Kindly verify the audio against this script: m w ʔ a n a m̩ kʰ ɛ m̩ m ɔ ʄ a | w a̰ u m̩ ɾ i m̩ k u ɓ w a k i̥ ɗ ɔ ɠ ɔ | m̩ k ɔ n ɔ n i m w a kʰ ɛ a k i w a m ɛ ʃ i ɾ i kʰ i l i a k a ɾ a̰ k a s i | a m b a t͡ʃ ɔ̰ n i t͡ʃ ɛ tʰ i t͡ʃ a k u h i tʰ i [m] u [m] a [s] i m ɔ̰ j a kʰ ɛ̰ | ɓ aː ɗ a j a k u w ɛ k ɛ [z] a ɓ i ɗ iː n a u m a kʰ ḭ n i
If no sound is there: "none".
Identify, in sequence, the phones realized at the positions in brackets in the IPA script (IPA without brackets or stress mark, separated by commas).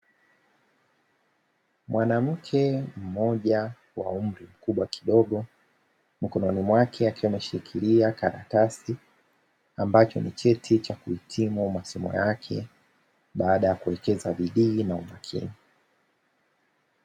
m, m, s, z